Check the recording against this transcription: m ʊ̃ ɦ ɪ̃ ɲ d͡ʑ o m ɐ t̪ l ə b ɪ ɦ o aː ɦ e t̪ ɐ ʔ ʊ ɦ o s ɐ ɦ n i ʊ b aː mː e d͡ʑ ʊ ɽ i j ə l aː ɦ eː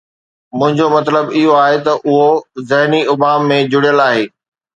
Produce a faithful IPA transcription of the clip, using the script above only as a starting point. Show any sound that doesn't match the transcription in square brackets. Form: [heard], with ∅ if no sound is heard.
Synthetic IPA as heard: m ʊ̃ ɦ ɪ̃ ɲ d͡ʑ o m ɐ t̪ l ə b ɪ ɦ o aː ɦ e t̪ ɐ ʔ ʊ ɦ o [z] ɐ ɦ n i ʊ b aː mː [ẽ] d͡ʑ ʊ ɽ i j ə l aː ɦ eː